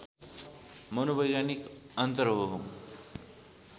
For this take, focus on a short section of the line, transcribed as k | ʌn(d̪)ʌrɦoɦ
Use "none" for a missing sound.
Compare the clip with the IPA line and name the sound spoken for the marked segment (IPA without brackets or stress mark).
t̪